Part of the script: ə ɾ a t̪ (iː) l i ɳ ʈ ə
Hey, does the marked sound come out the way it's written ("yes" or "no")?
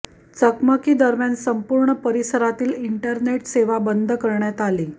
yes